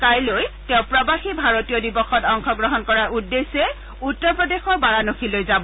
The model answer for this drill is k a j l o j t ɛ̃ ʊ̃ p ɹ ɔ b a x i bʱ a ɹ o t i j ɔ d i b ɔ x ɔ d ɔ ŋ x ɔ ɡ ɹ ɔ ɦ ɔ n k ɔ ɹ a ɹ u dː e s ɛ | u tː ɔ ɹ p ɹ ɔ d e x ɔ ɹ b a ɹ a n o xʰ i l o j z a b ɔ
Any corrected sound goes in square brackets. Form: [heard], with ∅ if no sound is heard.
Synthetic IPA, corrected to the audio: k a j l o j t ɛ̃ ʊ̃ p ɹ ɔ b a x i bʱ a ɹ o t i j ɔ d i b ɔ x ɔ [t] ɔ ŋ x ɔ ɡ ɹ ɔ ɦ ɔ n k ɔ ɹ a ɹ u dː e s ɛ | u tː ɔ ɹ p ɹ ɔ d e x ɔ ɹ b a ɹ a n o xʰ i l o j z a b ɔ